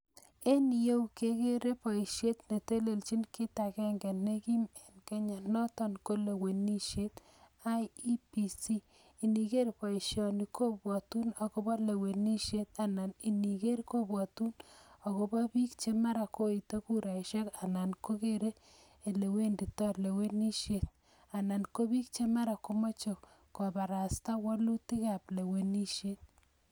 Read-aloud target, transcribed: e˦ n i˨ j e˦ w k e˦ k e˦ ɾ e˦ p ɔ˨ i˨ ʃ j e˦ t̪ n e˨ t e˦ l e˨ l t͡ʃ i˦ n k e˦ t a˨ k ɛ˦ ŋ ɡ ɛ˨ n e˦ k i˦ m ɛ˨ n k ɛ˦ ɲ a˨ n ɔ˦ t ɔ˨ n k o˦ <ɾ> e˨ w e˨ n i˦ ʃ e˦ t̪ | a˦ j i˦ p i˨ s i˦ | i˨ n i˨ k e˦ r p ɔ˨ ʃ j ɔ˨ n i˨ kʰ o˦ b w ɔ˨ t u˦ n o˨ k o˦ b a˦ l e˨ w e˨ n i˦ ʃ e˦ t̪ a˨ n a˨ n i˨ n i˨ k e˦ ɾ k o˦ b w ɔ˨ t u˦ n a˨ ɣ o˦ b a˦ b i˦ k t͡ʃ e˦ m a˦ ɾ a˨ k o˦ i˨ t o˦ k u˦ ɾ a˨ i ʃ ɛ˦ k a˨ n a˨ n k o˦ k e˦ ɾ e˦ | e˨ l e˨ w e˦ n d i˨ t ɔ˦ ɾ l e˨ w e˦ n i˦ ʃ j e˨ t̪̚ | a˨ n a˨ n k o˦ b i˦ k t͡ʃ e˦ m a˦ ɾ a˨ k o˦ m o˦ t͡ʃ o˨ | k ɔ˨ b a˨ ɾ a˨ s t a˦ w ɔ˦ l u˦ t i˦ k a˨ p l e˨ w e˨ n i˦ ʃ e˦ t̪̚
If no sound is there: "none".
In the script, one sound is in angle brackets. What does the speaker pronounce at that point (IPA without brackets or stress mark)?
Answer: l